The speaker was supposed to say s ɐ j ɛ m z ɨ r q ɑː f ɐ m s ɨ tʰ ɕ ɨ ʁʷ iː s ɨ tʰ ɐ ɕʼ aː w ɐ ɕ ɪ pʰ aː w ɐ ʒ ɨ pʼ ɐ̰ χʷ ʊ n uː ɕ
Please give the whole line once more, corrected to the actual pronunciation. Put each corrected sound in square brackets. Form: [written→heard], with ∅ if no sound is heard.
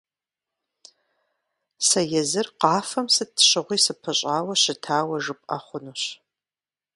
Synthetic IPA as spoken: s ɐ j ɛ [m→∅] z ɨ r q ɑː f ɐ m s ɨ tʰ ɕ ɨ ʁʷ iː s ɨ [tʰ→pʰ] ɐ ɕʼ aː w ɐ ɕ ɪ [pʰ→tʰ] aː w ɐ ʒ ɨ pʼ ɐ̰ χʷ ʊ n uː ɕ